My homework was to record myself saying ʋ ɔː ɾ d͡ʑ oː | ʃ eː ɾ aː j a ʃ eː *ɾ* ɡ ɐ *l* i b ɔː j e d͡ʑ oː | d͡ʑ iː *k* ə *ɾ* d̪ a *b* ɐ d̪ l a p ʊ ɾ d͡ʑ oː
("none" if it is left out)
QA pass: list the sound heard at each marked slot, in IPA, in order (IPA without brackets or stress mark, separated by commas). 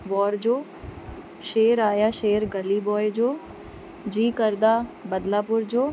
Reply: ɾ, l, k, ɾ, b